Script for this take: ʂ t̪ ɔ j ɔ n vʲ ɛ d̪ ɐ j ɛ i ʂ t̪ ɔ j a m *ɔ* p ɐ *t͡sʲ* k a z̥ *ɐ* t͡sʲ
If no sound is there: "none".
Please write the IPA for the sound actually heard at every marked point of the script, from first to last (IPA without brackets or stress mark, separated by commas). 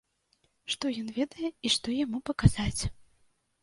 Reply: u, none, a